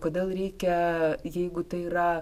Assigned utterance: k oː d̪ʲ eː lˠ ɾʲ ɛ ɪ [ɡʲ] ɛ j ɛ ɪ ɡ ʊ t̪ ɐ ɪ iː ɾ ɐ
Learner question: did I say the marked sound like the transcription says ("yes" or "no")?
no